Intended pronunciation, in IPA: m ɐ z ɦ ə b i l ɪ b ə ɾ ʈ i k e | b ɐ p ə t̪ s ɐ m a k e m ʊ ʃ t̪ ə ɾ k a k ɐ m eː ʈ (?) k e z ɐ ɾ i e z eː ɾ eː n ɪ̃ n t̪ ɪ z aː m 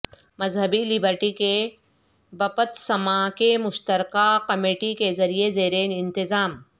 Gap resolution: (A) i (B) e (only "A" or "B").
A